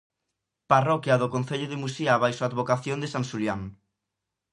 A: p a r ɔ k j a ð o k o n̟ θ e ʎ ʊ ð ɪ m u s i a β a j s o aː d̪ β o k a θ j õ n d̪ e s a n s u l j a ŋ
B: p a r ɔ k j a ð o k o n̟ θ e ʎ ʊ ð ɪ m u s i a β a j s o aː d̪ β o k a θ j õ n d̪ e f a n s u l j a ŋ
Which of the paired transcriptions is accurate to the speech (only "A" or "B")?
A